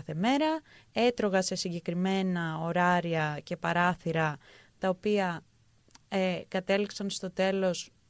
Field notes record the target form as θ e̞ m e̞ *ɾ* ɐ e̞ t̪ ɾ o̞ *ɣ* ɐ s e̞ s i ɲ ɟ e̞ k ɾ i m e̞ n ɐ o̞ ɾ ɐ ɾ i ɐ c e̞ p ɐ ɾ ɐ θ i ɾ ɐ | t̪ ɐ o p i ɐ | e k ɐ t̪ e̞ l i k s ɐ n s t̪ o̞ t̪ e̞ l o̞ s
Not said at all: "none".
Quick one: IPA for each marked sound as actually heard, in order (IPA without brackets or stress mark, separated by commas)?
ɾ, ɣ